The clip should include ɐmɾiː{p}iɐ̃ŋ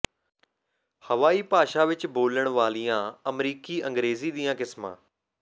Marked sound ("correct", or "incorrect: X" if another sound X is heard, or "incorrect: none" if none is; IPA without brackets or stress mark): incorrect: k